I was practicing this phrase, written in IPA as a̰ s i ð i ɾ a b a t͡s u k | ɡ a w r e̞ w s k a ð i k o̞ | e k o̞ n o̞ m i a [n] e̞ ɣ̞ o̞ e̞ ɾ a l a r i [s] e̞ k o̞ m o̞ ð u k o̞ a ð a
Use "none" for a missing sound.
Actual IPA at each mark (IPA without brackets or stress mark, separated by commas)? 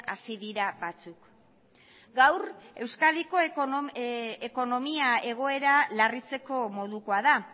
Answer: none, t͡s